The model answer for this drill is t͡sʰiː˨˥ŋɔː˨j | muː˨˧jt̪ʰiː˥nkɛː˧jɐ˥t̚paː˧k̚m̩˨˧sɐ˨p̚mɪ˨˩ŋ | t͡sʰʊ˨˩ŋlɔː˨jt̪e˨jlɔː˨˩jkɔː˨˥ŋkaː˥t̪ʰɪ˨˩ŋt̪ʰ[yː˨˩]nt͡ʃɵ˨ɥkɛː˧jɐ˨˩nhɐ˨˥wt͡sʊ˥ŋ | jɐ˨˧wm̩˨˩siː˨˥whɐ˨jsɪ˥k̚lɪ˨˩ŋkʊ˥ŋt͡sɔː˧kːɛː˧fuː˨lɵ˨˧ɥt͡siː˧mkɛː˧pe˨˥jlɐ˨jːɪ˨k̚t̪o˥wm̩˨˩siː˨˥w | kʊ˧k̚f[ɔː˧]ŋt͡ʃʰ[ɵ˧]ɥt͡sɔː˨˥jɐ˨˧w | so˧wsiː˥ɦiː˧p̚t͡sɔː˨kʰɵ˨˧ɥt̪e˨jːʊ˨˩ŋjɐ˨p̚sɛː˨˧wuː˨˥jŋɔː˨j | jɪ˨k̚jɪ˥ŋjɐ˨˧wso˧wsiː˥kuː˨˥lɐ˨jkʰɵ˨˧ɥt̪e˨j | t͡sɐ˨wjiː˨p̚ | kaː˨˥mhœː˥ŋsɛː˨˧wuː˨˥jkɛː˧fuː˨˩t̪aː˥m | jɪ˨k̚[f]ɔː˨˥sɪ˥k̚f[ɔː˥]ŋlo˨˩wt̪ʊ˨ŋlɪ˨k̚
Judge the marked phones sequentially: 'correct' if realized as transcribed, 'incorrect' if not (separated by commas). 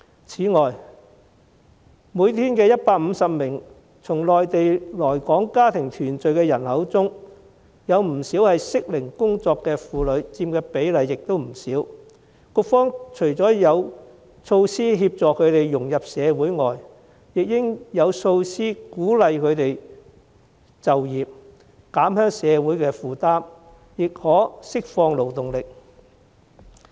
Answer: correct, incorrect, incorrect, incorrect, incorrect